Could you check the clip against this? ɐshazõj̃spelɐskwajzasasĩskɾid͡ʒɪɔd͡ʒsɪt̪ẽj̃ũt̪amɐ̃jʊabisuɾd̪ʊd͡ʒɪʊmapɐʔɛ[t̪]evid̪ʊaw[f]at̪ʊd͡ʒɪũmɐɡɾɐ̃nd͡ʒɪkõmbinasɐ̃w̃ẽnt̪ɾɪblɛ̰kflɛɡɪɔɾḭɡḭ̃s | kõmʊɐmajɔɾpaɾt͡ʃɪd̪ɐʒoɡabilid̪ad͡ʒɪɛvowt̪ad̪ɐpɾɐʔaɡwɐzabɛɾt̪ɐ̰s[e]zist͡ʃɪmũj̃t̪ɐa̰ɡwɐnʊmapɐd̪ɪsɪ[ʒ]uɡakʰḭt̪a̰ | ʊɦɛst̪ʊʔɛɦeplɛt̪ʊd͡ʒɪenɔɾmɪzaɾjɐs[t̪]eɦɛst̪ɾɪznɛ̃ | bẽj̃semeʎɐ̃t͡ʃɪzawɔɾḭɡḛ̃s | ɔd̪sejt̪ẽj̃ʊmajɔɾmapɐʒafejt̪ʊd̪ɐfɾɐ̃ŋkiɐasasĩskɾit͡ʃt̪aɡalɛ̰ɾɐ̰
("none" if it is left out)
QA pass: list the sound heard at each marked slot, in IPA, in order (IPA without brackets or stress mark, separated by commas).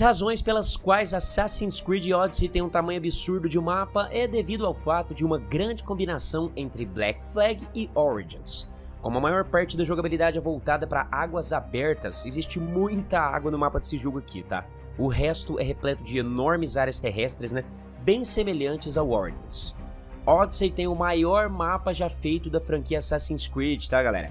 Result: d̪, f, e, ʒ, t̪